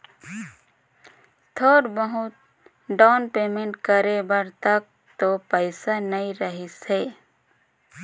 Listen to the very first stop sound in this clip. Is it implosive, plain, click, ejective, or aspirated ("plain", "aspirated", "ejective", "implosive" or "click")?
aspirated